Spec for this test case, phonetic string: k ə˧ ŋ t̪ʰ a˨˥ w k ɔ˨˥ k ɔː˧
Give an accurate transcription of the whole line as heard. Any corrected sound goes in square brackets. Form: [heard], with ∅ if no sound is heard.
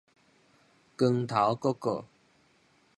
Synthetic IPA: k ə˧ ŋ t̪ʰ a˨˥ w k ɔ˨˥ k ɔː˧